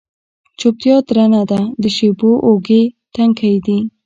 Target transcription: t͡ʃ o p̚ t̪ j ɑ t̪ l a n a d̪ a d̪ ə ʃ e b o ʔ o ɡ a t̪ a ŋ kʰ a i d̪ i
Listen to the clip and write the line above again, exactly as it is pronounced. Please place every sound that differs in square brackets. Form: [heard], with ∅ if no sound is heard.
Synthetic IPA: t͡ʃ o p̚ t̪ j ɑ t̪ [ɾ] a n a d̪ a d̪ ə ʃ e b o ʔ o ɡ [e] t̪ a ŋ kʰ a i d̪ i